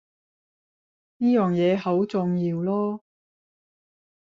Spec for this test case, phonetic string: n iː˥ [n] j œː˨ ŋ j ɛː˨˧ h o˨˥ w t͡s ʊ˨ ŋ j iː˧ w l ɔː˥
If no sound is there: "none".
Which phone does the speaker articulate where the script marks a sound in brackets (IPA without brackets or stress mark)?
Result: none